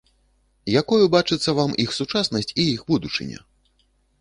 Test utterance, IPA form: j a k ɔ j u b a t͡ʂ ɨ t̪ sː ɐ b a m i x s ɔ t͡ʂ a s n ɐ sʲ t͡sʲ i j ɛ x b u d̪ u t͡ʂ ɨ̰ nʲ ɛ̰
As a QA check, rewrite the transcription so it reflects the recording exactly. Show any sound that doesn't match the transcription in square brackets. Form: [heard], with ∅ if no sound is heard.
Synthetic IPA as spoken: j a k ɔ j u b a t͡ʂ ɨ t̪ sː ɐ [v] a m i x s [u] t͡ʂ a s n ɐ sʲ t͡sʲ i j [i] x b u d̪ u t͡ʂ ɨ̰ nʲ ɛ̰